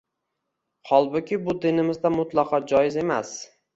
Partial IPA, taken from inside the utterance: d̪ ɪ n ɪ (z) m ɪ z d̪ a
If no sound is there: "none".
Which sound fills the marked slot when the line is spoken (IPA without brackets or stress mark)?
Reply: none